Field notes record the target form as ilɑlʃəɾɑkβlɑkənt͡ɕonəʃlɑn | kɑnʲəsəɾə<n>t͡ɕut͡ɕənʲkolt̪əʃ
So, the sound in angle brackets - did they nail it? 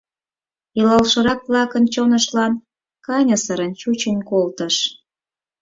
yes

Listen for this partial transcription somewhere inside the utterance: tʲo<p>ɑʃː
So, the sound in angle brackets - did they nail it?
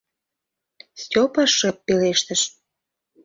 yes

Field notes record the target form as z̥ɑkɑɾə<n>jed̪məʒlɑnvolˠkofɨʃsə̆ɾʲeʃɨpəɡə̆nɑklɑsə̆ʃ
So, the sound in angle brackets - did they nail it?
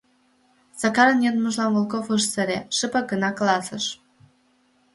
yes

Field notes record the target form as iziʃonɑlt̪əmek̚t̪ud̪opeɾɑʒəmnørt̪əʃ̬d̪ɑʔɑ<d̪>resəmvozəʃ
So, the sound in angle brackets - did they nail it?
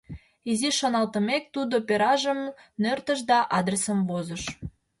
yes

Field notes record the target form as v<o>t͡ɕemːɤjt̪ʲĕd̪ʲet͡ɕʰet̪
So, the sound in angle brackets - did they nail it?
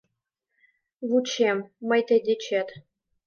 no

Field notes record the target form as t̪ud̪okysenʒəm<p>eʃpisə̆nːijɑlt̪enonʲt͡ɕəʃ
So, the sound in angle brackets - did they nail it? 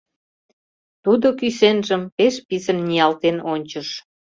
yes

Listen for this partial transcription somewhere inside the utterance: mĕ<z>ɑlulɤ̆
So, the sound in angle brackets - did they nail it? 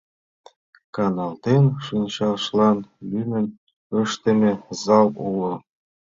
yes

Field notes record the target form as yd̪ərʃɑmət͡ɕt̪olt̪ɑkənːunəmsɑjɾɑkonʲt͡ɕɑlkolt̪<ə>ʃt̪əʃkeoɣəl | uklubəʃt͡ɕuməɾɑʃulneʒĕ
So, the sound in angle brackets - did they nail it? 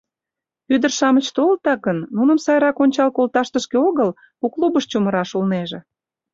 no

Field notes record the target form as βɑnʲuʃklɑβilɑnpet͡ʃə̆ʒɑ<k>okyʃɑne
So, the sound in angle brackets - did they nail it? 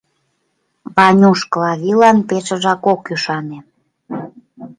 yes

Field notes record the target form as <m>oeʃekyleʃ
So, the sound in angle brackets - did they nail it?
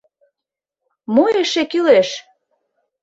yes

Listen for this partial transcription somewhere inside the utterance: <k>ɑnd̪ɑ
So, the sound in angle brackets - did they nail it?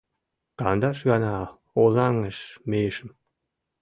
yes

